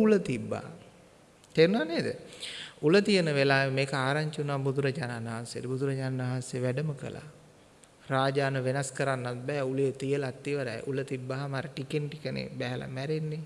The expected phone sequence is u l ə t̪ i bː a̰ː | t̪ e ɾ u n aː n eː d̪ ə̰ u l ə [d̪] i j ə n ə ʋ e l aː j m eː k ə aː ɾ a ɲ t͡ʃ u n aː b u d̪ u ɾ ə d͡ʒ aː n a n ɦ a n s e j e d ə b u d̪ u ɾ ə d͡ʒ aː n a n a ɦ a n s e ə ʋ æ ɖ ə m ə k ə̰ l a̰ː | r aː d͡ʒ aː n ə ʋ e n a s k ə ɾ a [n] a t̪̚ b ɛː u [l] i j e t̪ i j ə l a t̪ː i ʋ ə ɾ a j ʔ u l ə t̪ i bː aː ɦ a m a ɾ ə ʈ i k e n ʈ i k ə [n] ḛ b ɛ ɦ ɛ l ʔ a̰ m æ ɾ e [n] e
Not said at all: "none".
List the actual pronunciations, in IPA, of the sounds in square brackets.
t̪, nː, l, n, nː

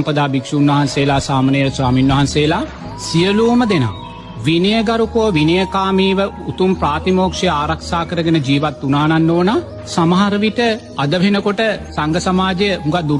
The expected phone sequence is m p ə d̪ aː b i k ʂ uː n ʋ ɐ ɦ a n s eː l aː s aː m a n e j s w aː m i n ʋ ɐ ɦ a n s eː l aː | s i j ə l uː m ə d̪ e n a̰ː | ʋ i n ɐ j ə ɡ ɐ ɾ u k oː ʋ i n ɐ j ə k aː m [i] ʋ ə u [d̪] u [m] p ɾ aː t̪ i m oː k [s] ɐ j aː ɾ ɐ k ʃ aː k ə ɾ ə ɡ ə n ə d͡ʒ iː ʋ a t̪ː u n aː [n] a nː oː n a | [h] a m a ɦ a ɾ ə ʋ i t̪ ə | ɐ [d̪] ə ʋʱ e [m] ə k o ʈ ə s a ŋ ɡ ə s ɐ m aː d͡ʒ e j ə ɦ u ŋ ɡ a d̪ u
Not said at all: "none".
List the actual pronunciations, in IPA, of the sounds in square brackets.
iː, t̪, m, ʂ, n, s, d̪, n

